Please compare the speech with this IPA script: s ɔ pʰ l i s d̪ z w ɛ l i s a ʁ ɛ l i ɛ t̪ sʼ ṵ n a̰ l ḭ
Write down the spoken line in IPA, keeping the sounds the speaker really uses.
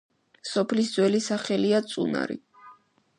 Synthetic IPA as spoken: s ɔ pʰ l i s d̪ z w ɛ l i s a χ ɛ l i a t̪ sʼ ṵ n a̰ ɾ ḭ